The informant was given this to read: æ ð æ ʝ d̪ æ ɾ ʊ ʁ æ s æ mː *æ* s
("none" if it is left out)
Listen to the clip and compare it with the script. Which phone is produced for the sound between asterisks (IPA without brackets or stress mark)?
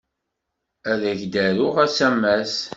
æ